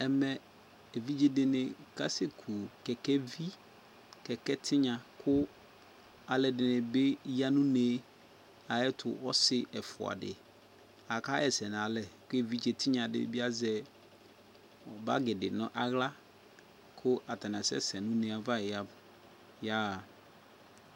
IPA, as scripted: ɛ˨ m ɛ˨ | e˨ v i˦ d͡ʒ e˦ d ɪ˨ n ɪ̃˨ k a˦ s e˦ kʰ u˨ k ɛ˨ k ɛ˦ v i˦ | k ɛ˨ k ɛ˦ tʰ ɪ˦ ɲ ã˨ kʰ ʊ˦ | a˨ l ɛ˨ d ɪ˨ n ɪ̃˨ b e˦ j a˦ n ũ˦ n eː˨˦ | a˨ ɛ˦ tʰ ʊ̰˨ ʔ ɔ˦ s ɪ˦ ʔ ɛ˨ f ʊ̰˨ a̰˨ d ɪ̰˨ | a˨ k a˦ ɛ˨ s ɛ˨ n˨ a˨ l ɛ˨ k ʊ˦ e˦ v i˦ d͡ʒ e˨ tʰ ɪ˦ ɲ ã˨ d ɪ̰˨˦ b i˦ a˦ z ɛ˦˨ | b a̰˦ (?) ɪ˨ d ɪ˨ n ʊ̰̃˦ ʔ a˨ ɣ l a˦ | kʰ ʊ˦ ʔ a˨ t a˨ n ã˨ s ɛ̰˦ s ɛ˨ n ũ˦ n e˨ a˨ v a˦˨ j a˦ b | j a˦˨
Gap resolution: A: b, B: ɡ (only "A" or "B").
B